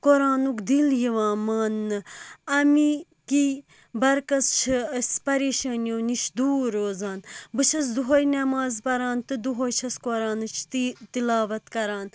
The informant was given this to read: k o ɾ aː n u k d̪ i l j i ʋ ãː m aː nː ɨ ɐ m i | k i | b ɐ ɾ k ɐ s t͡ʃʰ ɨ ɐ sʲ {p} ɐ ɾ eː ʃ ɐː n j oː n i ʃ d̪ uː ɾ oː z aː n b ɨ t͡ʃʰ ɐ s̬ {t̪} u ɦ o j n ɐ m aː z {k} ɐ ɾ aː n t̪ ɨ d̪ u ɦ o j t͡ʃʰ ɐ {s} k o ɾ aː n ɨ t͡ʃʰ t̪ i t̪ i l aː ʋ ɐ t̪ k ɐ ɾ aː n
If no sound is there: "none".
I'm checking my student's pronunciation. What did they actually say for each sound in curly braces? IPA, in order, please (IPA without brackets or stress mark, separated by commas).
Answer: p, d̪, p, s